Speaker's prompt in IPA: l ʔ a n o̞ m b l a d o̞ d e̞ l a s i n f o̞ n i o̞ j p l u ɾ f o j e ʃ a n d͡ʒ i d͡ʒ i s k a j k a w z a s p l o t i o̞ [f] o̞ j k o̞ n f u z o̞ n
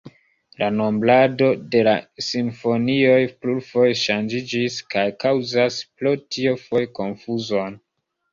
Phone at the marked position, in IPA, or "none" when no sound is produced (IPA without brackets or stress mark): f